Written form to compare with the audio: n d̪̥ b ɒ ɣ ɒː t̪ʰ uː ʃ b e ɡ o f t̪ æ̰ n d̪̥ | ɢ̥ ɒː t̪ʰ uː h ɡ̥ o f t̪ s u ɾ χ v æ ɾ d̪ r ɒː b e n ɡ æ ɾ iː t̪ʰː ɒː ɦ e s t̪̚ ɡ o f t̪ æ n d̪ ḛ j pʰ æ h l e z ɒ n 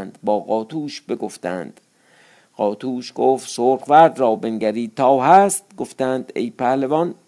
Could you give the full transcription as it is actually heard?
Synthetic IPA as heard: n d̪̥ b ɒː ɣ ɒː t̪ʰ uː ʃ b e ɡ o f t̪ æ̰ n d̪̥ | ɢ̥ ɒː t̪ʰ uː ʃ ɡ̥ o f t̪ s o ɾ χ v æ ɾ d̪ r ɒː b e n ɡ æ ɾ iː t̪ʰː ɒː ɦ æ s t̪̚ ɡ o f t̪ æ n d̪ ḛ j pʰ æ h l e v ɒ n